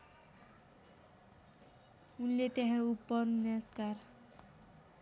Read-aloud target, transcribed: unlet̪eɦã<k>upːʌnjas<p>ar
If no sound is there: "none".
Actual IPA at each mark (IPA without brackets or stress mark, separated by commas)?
none, k